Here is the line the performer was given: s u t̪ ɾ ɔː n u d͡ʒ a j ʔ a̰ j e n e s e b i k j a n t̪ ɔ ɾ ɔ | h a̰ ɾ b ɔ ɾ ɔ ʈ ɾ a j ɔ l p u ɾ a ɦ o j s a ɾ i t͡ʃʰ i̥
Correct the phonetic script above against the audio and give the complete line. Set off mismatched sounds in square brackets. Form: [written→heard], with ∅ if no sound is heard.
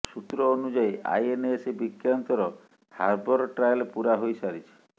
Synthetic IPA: s u t̪ ɾ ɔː n u d͡ʒ a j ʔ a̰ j e n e s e b i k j a n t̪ ɔ ɾ ɔ | h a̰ ɾ b ɔ ɾ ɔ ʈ ɾ a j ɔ l p u ɾ a ɦ o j s a ɾ i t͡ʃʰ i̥